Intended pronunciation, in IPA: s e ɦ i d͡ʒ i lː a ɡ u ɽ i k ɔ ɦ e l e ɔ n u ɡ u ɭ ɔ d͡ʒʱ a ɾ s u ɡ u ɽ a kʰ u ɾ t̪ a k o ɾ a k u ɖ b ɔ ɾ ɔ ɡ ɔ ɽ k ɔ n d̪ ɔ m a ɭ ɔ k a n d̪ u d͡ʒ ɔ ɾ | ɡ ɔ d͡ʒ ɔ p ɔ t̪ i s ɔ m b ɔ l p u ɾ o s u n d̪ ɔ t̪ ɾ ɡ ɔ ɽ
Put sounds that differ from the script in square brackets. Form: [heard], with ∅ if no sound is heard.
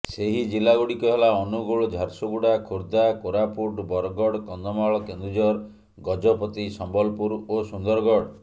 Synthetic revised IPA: s e ɦ i d͡ʒ i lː a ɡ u ɽ i k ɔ ɦ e l [a] ɔ n u ɡ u ɭ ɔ d͡ʒʱ a ɾ s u ɡ u ɽ a kʰ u ɾ [d̪] a k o ɾ a [p] u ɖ b ɔ ɾ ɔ ɡ ɔ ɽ k ɔ n d̪ ɔ m a ɭ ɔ k [e] n d̪ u d͡ʒ ɔ ɾ | ɡ ɔ d͡ʒ ɔ p ɔ t̪ i s ɔ m b ɔ l p u ɾ o s u n d̪ ɔ [∅] ɾ ɡ ɔ ɽ